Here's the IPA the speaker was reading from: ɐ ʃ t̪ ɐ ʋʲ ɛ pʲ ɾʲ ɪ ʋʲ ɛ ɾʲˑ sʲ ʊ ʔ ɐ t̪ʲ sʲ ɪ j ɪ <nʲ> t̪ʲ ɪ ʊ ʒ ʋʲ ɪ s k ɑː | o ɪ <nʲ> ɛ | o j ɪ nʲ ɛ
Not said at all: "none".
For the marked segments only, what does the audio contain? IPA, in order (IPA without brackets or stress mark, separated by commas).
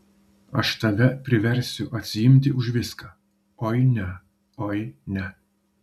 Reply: mʲ, nʲ